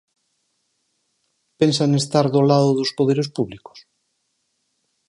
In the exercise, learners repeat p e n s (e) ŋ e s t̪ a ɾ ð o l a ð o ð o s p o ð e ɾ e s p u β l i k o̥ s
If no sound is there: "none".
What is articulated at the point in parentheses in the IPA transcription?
a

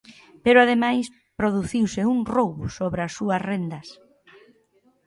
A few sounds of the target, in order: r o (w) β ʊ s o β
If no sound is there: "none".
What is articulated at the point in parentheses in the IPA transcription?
w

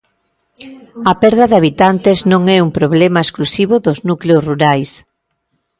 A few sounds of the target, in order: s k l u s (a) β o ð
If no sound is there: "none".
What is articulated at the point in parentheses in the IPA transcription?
i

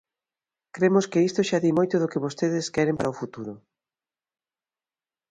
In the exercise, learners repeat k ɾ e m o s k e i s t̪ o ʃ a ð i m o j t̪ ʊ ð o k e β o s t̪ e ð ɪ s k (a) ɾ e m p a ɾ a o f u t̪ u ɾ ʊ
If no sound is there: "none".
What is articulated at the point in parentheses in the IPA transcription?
ɛ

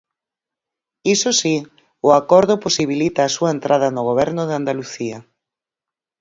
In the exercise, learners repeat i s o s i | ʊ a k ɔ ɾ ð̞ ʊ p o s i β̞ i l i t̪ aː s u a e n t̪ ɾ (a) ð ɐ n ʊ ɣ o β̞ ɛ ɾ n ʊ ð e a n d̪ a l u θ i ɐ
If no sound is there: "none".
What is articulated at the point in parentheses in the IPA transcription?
a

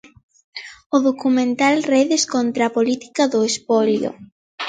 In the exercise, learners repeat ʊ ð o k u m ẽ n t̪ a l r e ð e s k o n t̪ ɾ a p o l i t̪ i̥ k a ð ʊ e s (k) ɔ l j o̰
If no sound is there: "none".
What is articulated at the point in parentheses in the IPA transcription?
p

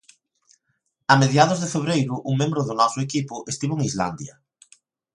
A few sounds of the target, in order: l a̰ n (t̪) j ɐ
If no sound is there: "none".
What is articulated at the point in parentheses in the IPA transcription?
d̪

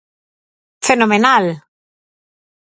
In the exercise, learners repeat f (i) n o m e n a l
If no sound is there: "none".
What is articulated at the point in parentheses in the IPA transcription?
e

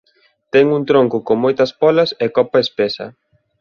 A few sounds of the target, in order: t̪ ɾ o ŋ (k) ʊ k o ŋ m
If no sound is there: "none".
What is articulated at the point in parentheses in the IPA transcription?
k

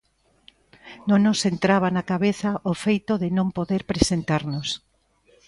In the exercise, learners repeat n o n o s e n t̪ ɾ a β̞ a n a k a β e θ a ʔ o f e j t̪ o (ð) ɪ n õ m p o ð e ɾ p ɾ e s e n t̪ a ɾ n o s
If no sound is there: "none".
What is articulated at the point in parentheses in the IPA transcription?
ð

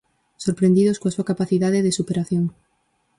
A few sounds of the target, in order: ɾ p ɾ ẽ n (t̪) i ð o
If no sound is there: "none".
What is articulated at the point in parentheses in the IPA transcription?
d̪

